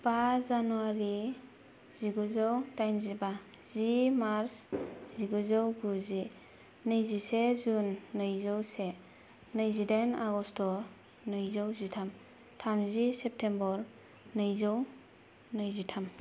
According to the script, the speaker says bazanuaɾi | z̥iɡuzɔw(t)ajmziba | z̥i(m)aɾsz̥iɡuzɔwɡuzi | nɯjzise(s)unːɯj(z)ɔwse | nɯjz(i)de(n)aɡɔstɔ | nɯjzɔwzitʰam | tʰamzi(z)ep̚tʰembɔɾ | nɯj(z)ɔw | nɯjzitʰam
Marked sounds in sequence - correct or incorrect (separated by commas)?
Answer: correct, correct, incorrect, correct, correct, correct, incorrect, correct